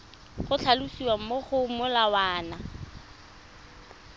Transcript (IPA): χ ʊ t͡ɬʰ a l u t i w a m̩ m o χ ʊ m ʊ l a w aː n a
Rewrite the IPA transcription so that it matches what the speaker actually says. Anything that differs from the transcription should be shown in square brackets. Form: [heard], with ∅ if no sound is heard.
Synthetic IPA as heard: χ ʊ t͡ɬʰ a l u [s] i w a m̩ m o χ ʊ m ʊ l a w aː n a